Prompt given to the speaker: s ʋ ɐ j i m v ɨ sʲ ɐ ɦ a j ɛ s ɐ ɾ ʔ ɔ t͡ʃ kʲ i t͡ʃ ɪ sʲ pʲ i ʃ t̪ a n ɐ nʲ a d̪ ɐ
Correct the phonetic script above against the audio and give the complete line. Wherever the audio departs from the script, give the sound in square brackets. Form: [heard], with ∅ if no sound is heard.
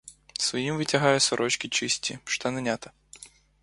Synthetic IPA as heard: s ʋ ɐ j i m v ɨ [tʲ] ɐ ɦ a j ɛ s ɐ ɾ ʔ ɔ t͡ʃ kʲ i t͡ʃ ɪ sʲ [tʲ] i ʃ t̪ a n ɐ nʲ a [t̪] ɐ